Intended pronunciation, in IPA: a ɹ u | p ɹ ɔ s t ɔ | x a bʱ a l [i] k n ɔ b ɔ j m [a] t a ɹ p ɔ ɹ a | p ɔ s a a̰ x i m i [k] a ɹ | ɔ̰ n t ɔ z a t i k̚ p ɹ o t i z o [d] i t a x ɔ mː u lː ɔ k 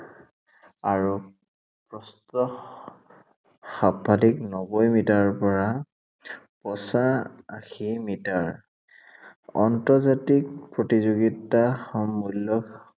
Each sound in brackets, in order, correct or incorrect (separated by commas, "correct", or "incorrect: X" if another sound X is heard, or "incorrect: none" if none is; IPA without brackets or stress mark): correct, incorrect: i, incorrect: t, incorrect: ɡ